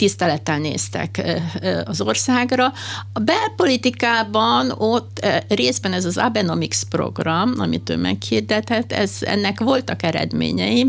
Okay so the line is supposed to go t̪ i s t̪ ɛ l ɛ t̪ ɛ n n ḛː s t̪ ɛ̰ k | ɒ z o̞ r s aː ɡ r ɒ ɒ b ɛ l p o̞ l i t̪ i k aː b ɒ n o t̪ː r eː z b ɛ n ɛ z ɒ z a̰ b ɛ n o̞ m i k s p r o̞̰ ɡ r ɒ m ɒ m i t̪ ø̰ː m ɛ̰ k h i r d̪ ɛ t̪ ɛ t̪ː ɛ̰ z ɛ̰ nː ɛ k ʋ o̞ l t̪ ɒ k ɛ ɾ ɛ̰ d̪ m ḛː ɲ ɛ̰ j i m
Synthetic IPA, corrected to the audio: t̪ i s t̪ ɛ l ɛ t̪ ɛ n n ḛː s t̪ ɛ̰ k | ɒ z o̞ r s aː ɡ r ɒ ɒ b ɛ l p o̞ l i t̪ i k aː b ɒ n o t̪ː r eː z b ɛ n ɛ z ɒ z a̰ b ɛ n o̞ m i k s p r o̞̰ ɡ r ɒ m ɒ m i t̪ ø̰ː m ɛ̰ k h i r d̪ ɛ t̪ ɛ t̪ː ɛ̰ z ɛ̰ nː ɛ k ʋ o̞ l t̪ ɒ k ɛ ɾ ɛ̰ d̪ m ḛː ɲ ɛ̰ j i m